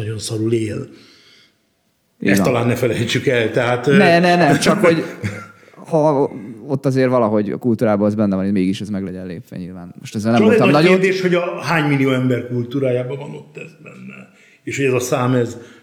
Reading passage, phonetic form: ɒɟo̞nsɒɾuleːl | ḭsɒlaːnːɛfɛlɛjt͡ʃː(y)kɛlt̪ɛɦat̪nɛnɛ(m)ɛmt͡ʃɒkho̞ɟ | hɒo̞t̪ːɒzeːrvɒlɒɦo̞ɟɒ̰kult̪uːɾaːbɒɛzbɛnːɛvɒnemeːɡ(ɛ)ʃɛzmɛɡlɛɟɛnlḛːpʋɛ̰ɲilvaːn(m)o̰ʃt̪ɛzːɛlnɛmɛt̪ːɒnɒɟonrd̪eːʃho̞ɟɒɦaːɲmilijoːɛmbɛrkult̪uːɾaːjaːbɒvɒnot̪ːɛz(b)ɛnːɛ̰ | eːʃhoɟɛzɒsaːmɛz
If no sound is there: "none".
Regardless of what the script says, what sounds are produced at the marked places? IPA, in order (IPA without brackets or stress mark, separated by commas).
y, n, i, m, b